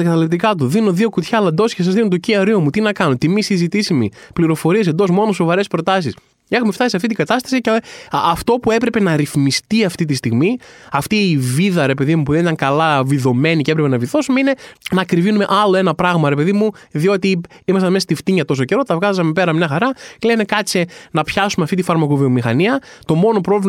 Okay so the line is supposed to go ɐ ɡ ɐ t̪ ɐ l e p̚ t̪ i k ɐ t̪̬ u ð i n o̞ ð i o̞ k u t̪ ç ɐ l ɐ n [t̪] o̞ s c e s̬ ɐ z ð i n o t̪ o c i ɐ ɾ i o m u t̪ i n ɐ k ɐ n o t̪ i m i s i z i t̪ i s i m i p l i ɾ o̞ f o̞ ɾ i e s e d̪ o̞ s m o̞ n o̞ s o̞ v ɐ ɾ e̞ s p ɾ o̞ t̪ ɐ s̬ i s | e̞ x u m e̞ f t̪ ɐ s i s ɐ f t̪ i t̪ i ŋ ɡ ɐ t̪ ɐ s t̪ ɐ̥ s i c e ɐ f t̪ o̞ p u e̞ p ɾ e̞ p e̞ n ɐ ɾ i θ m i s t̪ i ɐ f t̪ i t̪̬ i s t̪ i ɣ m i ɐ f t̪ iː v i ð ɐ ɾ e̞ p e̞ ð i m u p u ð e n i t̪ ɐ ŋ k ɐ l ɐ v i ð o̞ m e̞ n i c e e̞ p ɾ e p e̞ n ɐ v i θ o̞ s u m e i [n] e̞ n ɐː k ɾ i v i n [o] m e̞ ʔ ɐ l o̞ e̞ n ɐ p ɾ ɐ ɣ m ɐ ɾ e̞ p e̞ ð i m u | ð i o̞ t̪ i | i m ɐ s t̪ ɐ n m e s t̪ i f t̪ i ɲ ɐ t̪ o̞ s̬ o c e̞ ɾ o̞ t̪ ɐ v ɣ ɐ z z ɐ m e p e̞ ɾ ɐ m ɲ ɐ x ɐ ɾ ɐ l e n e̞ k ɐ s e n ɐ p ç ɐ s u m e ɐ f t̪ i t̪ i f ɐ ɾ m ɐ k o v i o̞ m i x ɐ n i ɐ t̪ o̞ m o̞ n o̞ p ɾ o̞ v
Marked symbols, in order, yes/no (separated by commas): no, yes, no